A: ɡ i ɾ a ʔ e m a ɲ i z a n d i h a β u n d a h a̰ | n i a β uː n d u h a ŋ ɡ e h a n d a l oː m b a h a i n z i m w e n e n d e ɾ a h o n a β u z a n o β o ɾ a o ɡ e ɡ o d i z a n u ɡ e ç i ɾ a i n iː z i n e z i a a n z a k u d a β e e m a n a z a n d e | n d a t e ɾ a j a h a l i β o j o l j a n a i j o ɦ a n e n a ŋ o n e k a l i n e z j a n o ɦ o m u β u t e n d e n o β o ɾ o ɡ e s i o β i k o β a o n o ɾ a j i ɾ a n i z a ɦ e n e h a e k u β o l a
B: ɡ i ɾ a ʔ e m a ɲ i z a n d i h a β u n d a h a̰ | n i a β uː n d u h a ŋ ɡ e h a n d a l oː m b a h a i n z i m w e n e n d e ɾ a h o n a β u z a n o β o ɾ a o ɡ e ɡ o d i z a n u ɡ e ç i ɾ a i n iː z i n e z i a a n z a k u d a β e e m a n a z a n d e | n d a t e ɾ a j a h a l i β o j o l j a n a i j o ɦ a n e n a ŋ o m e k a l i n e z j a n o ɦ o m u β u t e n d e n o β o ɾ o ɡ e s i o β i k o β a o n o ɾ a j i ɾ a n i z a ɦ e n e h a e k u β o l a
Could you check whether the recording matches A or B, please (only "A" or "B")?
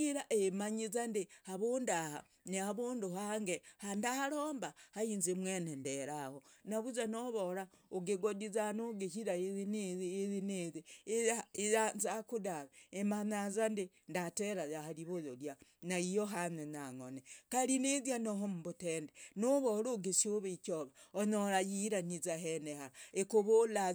A